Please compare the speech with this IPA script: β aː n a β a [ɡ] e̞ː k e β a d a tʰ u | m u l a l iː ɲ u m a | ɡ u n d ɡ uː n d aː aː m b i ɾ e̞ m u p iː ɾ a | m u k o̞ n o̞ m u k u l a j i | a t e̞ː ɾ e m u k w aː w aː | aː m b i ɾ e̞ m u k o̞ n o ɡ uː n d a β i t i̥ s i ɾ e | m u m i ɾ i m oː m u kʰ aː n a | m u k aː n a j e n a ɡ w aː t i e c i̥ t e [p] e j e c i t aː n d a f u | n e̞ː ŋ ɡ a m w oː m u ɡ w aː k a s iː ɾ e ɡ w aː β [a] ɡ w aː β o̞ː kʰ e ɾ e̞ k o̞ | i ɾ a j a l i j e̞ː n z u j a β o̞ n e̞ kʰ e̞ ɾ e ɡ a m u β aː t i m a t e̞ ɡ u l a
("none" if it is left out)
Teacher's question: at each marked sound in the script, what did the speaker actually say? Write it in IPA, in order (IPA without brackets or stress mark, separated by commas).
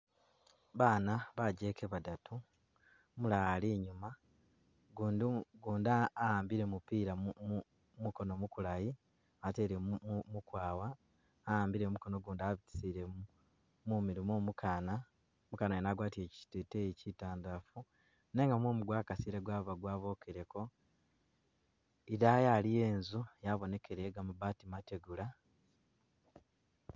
ɟ, t, a